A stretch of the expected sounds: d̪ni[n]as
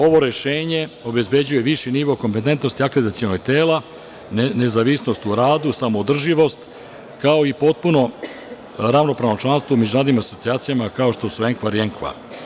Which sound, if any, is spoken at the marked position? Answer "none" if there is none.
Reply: m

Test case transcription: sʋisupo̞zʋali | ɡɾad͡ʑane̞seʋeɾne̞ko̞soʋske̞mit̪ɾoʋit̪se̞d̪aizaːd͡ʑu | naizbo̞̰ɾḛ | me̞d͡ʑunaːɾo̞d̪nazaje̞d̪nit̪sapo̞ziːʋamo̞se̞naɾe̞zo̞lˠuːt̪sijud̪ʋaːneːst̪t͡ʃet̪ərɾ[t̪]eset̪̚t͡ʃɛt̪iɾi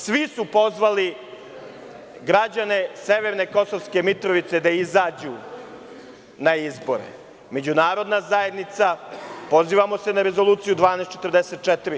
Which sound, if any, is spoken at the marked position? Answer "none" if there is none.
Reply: d̪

